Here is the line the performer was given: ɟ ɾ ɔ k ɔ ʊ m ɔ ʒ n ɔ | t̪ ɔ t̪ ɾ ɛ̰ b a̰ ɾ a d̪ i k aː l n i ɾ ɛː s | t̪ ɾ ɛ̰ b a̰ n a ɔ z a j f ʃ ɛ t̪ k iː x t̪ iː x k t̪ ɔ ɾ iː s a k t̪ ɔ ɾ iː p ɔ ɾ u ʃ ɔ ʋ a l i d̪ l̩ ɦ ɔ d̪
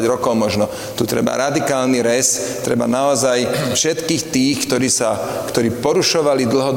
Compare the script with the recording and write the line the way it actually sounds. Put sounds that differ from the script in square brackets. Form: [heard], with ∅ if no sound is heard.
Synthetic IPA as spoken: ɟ ɾ ɔ k ɔ ʊ m ɔ ʒ n ɔ | t̪ [u] t̪ ɾ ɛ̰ b a̰ ɾ a d̪ i k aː l n i ɾ [ɛ] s | t̪ ɾ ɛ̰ b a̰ n a ɔ z a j f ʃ ɛ t̪ k iː x t̪ iː x k t̪ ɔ ɾ iː s a k t̪ ɔ ɾ iː p ɔ ɾ u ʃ ɔ ʋ a l i d̪ l̩ ɦ ɔ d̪